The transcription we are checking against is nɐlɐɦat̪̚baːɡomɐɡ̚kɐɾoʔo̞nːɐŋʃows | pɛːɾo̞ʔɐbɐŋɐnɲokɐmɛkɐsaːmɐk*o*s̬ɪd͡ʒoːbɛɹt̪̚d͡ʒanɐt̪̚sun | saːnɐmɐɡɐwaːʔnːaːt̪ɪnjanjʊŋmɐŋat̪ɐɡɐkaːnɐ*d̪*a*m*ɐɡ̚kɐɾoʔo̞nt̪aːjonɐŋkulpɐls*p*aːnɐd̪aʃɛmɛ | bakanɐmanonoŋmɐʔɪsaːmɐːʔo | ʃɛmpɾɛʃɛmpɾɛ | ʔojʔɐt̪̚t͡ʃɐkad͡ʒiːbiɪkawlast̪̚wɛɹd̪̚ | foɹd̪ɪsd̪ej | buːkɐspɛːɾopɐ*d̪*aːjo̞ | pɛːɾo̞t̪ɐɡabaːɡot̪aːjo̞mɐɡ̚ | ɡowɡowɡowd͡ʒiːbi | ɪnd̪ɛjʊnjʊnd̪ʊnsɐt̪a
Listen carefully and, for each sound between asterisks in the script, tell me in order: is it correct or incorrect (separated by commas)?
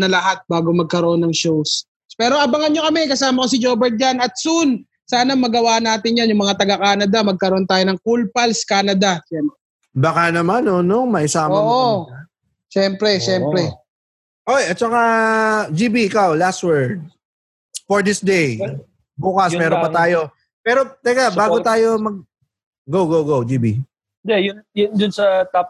correct, correct, correct, incorrect, incorrect